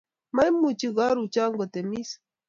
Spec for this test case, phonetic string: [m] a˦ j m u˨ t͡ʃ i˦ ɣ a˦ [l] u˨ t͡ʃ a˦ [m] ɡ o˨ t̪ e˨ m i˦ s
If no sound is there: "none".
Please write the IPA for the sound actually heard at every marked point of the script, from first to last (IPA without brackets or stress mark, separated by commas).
m, ɾ, ŋ